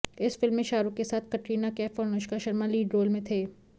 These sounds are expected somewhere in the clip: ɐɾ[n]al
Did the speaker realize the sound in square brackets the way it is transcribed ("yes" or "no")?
no